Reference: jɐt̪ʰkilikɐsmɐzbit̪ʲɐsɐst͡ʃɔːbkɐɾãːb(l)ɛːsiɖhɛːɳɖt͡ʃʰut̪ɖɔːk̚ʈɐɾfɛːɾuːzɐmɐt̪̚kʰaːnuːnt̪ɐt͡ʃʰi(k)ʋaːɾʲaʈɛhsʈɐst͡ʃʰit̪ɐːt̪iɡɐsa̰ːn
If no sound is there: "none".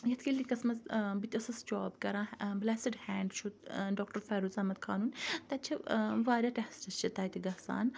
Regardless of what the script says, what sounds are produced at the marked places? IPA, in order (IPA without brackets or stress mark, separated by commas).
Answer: l, none